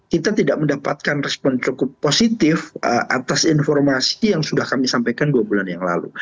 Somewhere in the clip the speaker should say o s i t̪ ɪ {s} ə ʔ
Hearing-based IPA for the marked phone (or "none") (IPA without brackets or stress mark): f